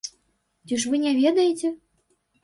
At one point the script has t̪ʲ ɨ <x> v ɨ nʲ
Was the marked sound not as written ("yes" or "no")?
yes